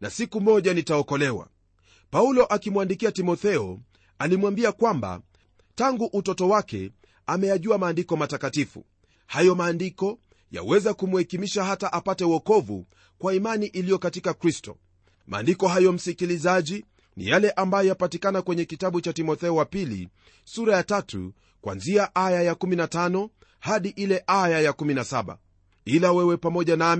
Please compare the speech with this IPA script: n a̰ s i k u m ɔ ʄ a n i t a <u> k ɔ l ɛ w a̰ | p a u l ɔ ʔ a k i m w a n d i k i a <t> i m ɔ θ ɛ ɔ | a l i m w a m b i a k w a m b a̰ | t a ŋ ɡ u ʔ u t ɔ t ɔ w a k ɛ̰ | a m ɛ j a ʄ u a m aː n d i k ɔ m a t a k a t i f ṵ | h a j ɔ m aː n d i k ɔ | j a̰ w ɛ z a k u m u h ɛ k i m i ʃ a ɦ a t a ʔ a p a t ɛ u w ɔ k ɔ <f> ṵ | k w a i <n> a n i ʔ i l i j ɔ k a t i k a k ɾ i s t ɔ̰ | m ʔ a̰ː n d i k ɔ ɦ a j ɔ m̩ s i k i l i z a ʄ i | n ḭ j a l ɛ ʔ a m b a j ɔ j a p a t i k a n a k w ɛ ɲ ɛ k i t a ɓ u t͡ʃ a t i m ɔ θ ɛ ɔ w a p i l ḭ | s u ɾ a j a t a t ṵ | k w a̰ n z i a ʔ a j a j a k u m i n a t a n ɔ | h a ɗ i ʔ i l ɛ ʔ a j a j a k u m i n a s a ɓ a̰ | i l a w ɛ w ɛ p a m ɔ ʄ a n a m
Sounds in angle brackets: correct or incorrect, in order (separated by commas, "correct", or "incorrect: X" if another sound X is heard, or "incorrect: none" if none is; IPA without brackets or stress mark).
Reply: incorrect: ɔ, correct, incorrect: v, incorrect: m